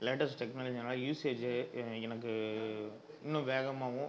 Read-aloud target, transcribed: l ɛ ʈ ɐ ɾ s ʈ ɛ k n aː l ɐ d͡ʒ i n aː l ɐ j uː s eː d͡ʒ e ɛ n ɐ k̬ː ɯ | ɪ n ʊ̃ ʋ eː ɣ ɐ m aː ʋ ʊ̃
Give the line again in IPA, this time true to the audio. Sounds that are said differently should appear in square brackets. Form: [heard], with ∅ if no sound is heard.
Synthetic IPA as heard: l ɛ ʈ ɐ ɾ s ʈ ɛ k n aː l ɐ d͡ʒ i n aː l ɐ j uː s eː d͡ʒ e ɛ n ɐ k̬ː ɯ | ɪ [nː] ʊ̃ ʋ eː ɣ ɐ m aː ʋ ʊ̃

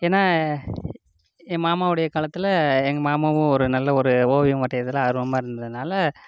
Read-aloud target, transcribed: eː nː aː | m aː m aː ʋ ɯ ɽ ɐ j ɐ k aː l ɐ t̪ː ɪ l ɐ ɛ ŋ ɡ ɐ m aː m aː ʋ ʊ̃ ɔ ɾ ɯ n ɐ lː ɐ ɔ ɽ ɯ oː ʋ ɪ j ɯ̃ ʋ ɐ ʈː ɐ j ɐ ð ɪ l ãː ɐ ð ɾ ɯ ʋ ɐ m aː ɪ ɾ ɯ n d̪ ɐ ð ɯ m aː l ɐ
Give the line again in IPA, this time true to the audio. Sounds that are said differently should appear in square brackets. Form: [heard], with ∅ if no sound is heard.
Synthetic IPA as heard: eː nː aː | m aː m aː ʋ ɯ ɽ ɐ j ɐ k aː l ɐ t̪ː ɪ l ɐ ɛ ŋ ɡ ɐ m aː m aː ʋ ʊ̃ ɔ ɾ ɯ n ɐ lː ɐ ɔ [ɾ] ɯ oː ʋ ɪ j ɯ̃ ʋ ɐ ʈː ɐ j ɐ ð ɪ l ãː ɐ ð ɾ ɯ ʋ ɐ m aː ɪ ɾ ɯ n d̪ ɐ ð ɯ [n] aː l ɐ

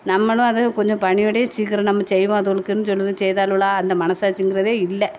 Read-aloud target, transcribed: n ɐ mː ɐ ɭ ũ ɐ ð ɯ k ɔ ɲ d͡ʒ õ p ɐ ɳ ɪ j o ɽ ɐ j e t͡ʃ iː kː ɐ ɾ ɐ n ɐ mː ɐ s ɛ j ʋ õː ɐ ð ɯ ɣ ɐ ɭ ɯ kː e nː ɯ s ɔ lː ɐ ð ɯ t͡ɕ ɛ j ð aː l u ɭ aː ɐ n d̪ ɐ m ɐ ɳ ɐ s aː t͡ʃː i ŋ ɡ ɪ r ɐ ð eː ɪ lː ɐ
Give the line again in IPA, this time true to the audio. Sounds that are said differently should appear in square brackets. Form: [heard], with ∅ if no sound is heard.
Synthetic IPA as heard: n ɐ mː ɐ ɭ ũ ɐ ð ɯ k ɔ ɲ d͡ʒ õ p ɐ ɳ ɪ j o ɽ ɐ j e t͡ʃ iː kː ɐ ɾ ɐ n ɐ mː ɐ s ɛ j ʋ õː ɐ ð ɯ ɣ ɐ ɭ ɯ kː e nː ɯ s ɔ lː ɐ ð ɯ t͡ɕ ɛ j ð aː l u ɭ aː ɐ n d̪ ɐ m ɐ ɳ ɐ s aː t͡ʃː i ŋ ɡ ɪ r ɐ ð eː ɪ lː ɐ

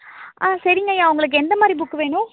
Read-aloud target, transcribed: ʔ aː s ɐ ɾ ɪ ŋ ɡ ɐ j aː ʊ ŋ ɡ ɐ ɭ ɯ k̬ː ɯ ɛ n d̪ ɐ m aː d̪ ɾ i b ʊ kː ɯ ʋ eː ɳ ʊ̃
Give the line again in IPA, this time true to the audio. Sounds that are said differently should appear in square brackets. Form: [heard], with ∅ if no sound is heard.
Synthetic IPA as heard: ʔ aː s ɐ ɾ ɪ ŋ ɡ ɐ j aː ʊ ŋ ɡ ɐ ɭ ɯ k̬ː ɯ ɛ n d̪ ɐ m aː d̪ ɾ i b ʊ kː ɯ ʋ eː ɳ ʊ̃

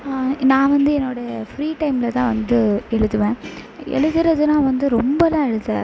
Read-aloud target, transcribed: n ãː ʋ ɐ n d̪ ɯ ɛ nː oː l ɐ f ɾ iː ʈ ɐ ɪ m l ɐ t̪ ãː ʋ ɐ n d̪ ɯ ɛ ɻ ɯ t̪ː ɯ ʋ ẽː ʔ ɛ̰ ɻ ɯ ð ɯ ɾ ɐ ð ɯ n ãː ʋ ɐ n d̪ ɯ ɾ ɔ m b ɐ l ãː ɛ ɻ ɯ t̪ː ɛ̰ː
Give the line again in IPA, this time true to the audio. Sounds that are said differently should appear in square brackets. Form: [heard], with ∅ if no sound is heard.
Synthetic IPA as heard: n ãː ʋ ɐ n d̪ ɯ ɛ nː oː [ɽ] ɐ f ɾ iː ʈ ɐ ɪ m l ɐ t̪ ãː ʋ ɐ n d̪ ɯ ɛ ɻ ɯ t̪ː ɯ ʋ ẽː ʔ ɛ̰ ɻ ɯ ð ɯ ɾ ɐ ð ɯ n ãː ʋ ɐ n d̪ ɯ ɾ ɔ m b ɐ l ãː ɛ ɻ ɯ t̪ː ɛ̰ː

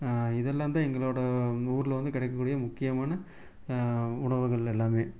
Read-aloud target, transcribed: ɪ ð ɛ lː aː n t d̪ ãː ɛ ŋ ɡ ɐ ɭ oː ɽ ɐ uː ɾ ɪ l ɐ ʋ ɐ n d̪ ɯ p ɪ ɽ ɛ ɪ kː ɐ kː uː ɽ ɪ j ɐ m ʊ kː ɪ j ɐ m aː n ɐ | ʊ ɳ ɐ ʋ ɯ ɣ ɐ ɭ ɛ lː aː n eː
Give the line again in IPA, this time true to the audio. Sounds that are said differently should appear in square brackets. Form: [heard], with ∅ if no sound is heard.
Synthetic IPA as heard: ɪ ð ɛ lː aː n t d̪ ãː ɛ ŋ ɡ ɐ ɭ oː ɽ ɐ uː ɾ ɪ l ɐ ʋ ɐ n d̪ ɯ [k] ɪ ɽ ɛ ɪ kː ɐ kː uː ɽ ɪ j ɐ m ʊ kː ɪ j ɐ m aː n ɐ | ʊ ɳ ɐ ʋ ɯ ɣ ɐ ɭ ɛ lː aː [m] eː

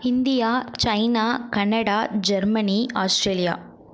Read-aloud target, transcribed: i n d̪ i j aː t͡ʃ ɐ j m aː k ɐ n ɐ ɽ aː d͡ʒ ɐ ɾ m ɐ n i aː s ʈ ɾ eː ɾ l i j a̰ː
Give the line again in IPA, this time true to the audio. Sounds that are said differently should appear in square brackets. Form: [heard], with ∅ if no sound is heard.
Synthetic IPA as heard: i n d̪ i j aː t͡ʃ ɐ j [n] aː k ɐ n ɐ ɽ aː d͡ʒ ɐ ɾ m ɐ n i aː s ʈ ɾ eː [∅] l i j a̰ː

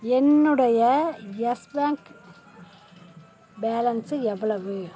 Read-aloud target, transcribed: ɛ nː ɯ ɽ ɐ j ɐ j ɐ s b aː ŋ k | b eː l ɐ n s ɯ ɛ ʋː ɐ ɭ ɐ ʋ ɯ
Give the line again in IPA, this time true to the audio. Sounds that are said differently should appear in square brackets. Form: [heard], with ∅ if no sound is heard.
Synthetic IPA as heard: ɛ nː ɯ ɽ ɐ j ɐ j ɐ s b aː ŋ k | b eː l ɐ n s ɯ ɛ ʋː ɐ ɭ ɐ ʋ ɯ

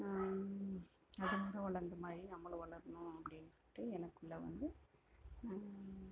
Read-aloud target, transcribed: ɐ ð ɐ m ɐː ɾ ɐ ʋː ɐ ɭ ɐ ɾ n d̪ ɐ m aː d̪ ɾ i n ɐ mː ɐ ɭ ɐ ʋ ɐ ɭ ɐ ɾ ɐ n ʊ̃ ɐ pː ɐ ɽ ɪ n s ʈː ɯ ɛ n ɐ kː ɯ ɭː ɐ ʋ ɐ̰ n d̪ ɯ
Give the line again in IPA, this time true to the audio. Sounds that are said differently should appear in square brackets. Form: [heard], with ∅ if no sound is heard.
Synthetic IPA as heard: ɐ ð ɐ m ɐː ɾ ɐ [ʋ] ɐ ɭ ɐ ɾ n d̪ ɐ m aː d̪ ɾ i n ɐ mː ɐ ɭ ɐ ʋ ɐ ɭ ɐ ɾ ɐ n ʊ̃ ɐ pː ɐ ɽ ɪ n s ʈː ɯ ɛ n ɐ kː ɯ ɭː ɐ ʋ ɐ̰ n d̪ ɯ

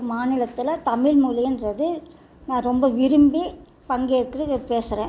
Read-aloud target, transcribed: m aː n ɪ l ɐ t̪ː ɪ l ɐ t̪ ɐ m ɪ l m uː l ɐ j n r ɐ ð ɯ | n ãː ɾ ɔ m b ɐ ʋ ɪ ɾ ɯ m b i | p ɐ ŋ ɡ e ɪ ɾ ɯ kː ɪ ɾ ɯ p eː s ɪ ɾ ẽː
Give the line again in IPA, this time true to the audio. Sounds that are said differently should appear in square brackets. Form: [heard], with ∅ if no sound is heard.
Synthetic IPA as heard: m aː n ɪ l ɐ t̪ː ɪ l ɐ t̪ ɐ m ɪ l m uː l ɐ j n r ɐ ð ɯ | n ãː ɾ ɔ m b ɐ ʋ ɪ ɾ ɯ m b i | p ɐ ŋ ɡ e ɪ ɾ ɯ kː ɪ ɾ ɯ p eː s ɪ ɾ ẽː

